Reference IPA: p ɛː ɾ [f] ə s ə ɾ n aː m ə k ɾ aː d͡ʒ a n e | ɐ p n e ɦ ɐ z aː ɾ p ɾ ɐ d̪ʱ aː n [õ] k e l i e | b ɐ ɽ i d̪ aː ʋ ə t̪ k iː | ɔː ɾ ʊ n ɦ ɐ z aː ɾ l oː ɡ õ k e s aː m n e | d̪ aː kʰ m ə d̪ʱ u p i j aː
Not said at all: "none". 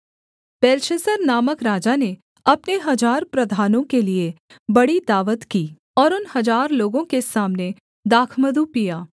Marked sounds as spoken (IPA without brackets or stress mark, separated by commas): ʃ, õ